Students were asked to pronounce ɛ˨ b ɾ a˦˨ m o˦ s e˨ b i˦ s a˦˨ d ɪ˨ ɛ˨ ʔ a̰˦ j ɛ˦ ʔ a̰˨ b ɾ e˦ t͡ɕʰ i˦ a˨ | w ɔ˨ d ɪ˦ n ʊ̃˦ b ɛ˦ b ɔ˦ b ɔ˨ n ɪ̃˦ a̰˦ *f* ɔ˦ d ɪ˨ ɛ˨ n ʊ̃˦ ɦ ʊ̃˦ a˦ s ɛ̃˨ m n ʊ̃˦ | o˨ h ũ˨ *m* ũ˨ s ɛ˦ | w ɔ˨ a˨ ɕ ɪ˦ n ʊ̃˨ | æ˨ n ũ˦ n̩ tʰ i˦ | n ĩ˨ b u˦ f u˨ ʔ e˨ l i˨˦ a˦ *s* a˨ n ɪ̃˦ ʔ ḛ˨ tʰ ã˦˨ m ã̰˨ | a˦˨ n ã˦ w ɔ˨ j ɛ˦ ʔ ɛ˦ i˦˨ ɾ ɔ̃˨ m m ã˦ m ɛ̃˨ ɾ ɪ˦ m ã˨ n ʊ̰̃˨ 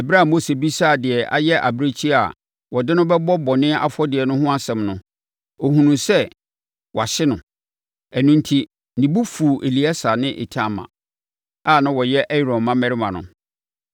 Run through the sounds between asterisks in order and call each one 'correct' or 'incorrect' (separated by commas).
correct, incorrect, correct